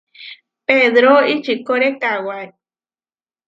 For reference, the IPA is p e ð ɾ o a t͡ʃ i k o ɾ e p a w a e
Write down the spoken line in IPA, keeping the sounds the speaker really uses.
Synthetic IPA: p e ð ɾ o i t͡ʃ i k o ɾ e k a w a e